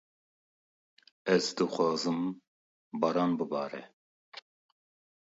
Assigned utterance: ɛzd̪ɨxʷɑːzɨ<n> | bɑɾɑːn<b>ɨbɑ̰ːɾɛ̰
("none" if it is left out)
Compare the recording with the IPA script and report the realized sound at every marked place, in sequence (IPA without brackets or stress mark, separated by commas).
m, b